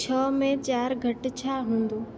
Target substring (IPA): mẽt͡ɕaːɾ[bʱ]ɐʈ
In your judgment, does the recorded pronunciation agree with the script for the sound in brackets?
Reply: no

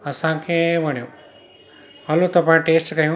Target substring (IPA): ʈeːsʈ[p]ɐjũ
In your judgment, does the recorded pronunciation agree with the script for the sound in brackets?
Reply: no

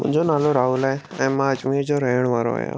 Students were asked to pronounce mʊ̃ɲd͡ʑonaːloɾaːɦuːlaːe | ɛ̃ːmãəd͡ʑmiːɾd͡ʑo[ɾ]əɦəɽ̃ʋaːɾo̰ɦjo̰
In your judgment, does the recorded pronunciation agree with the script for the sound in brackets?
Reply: yes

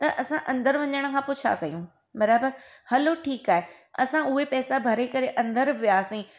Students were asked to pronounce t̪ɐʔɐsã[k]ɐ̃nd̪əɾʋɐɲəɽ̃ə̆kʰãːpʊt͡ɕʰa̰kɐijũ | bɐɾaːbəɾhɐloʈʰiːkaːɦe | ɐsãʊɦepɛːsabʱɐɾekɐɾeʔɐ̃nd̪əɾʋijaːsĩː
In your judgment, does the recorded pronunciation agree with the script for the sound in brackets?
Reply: no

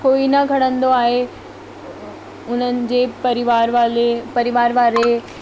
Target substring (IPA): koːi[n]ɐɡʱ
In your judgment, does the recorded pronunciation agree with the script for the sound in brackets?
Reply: yes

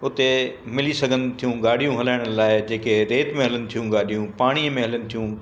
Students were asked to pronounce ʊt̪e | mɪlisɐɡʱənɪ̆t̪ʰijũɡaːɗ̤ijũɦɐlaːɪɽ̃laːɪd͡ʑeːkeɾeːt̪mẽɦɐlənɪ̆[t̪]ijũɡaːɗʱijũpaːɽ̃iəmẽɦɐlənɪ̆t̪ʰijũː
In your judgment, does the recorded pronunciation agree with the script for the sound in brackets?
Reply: no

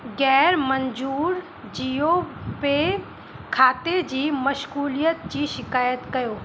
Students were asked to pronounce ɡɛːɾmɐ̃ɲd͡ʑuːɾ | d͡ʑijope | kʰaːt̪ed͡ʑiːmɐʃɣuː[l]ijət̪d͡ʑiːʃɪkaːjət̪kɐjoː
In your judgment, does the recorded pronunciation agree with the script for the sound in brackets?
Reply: yes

